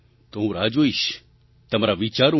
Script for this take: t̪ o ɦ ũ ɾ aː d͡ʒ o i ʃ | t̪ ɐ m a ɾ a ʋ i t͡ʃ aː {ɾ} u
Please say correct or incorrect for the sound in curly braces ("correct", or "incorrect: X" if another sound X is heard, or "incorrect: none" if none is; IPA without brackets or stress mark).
correct